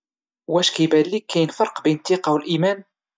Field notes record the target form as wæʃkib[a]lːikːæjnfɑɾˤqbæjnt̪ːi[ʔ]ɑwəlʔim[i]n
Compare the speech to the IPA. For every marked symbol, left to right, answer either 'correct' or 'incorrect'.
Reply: incorrect: æ, incorrect: q, incorrect: æ

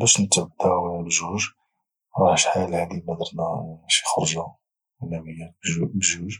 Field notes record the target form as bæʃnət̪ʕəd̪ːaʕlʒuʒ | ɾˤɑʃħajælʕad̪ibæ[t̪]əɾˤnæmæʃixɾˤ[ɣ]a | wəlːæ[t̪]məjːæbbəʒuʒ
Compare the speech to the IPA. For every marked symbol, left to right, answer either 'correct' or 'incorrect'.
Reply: incorrect: d̪, incorrect: ʒ, incorrect: none

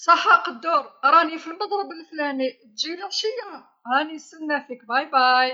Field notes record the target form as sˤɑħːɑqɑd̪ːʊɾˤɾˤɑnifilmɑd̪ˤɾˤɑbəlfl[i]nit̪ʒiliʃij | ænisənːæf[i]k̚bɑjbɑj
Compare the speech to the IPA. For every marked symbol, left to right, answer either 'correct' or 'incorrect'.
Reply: incorrect: æ, correct

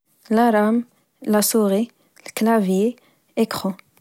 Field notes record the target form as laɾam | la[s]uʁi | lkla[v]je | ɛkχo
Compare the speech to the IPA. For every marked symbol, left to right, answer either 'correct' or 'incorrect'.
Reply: correct, correct

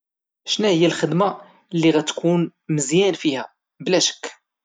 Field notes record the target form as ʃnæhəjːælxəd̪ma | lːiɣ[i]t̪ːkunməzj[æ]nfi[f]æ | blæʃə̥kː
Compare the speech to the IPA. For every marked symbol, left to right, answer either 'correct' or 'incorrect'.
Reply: incorrect: æ, correct, incorrect: h

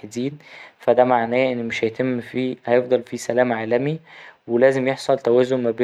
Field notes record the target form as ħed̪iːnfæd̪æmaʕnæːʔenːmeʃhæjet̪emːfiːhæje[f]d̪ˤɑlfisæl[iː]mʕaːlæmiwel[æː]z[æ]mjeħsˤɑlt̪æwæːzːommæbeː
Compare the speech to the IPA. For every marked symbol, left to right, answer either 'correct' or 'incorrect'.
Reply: correct, incorrect: æː, correct, incorrect: e

